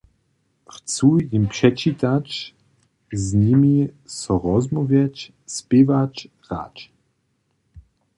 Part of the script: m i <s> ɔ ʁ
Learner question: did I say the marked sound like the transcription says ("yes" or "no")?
yes